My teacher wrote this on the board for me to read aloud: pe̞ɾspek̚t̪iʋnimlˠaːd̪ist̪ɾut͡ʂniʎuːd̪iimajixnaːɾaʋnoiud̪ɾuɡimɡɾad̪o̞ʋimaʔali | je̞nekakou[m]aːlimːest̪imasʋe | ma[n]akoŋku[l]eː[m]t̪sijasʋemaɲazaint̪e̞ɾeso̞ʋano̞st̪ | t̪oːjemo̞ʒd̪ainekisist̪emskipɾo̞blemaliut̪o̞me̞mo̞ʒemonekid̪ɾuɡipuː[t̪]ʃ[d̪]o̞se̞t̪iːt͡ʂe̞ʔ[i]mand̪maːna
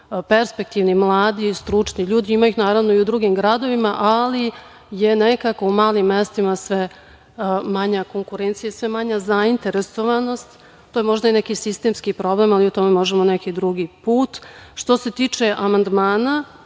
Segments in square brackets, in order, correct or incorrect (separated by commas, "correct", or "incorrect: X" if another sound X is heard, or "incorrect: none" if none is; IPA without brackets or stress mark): correct, incorrect: ɲ, incorrect: ɾ, incorrect: n, correct, incorrect: t̪, incorrect: a